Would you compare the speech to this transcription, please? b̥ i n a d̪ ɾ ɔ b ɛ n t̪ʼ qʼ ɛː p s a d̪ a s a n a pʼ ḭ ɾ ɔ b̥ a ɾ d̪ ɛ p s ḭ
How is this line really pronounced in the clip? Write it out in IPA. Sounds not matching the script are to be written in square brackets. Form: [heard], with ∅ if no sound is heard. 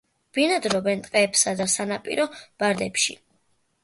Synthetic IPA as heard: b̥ i n a d̪ ɾ ɔ b ɛ n t̪ʼ qʼ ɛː p s a d̪ a s a n a pʼ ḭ ɾ ɔ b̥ a ɾ d̪ ɛ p [ʃ] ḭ